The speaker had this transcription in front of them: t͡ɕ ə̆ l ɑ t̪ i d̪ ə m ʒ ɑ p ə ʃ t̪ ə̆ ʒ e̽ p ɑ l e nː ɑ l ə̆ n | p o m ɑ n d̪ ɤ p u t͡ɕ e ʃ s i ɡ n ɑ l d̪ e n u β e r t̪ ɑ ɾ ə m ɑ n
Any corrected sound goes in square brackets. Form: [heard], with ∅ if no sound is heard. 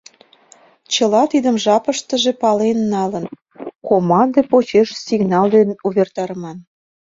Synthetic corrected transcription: t͡ɕ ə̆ l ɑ t̪ i d̪ ə m ʒ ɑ p ə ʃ t̪ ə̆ ʒ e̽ p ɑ l e nː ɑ l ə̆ n | [k] o m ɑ n d̪ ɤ p [o] t͡ɕ e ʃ s i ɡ n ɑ l d̪ e n u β e r t̪ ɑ ɾ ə m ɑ n